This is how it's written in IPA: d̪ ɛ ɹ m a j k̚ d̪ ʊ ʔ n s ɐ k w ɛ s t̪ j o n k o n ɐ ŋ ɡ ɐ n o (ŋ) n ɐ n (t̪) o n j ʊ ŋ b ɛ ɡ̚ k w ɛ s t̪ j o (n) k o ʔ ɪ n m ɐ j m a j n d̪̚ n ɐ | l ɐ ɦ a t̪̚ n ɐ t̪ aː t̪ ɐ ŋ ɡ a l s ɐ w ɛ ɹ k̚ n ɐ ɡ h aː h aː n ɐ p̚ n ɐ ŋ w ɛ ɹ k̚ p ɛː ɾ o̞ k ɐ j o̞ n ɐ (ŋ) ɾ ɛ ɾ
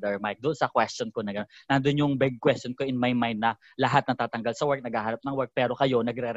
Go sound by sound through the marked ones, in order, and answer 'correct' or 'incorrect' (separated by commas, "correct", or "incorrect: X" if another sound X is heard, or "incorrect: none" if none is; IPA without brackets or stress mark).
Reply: incorrect: n, incorrect: d̪, correct, incorrect: ɡ